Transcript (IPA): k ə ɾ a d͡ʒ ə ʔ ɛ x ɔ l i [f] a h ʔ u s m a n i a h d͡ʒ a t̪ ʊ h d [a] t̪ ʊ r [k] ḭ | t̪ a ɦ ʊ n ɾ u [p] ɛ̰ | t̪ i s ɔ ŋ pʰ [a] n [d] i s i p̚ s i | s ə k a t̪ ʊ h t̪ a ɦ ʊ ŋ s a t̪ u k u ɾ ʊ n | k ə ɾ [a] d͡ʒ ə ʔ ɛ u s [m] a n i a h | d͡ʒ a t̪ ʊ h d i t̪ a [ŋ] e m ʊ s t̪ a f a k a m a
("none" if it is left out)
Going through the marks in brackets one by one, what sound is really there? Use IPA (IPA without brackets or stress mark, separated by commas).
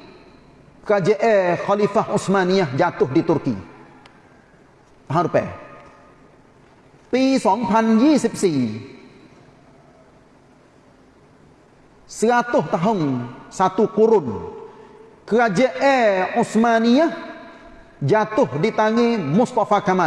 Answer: f, i, k, p, a, d͡ʒ, a, m, ŋ